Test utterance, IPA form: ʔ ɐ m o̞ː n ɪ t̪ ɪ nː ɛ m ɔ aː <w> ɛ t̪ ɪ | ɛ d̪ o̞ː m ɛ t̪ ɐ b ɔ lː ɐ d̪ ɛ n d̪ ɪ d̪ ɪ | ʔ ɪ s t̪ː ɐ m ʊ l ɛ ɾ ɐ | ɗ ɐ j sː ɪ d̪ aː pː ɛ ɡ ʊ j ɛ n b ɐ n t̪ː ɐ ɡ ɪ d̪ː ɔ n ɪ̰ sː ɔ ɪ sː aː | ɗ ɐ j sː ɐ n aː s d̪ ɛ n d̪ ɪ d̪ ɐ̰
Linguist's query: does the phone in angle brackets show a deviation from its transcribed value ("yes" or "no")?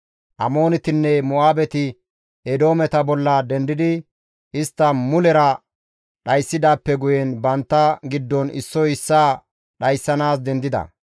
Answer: yes